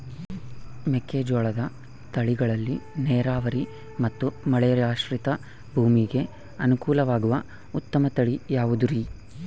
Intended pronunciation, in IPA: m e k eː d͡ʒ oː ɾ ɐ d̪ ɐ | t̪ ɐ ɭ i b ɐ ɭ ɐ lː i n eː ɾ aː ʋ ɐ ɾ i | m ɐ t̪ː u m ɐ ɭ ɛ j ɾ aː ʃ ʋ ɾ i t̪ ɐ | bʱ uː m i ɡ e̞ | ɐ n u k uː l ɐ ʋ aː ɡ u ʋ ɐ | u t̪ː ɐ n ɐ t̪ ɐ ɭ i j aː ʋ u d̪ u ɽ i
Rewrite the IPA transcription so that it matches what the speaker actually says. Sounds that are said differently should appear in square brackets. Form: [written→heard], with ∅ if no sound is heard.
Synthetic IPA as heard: m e k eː d͡ʒ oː [ɾ→ɭ] ɐ d̪ ɐ | t̪ ɐ ɭ i [b→ɡ] ɐ ɭ ɐ lː i n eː ɾ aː ʋ ɐ ɾ i | m ɐ t̪ː u m ɐ ɭ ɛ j ɾ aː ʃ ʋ ɾ i t̪ ɐ | bʱ uː m i ɡ e̞ | ɐ n u k uː l ɐ ʋ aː ɡ u ʋ ɐ | u t̪ː ɐ [n→m] ɐ t̪ ɐ ɭ i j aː ʋ u d̪ u [ɽ→ɾ] i